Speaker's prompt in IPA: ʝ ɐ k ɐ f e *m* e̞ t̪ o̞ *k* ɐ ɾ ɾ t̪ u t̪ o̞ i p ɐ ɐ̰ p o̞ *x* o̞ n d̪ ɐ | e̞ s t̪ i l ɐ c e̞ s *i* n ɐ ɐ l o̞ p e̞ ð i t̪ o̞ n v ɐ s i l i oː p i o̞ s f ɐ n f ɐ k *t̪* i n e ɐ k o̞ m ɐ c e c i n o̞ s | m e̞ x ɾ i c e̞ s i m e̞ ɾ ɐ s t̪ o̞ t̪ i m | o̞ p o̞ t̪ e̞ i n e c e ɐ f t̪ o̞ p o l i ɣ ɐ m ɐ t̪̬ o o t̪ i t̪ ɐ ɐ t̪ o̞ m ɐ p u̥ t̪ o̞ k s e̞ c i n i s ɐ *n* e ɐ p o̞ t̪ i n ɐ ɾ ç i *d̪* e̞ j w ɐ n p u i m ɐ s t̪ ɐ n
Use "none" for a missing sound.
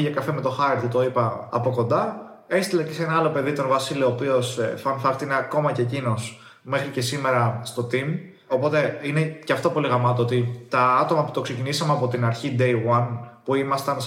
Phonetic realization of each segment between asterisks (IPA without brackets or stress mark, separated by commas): m, x, k, e, t̪, m, d̪